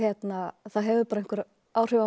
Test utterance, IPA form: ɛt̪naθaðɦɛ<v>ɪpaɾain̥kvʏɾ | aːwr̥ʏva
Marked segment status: correct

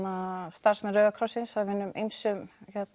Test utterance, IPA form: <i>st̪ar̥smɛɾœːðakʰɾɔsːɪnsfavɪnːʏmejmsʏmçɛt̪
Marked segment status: incorrect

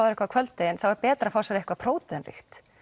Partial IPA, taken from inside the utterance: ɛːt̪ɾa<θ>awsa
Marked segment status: incorrect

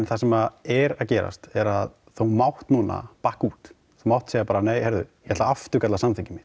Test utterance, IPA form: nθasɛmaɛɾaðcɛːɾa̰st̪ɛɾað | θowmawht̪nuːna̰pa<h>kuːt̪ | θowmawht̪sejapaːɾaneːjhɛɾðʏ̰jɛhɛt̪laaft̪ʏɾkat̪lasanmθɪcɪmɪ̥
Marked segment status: correct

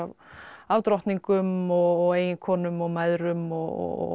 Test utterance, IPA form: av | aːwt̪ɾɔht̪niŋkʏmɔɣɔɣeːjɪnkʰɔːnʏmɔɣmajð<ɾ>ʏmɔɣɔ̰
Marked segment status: correct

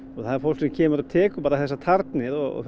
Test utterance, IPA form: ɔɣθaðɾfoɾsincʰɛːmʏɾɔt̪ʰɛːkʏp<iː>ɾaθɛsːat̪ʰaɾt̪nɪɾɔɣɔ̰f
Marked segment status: incorrect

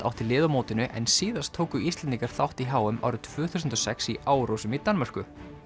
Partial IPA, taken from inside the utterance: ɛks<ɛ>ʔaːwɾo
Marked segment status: incorrect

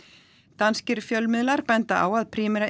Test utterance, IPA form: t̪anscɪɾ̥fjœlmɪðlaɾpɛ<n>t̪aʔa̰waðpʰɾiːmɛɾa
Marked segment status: correct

